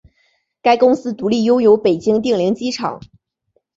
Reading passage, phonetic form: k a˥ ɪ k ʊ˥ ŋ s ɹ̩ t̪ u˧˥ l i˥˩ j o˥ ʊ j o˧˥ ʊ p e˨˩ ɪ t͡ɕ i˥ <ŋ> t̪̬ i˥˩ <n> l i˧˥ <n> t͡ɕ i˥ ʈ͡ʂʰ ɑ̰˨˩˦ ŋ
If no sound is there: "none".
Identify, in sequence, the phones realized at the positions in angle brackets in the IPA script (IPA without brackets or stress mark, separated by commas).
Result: ŋ, ŋ, ŋ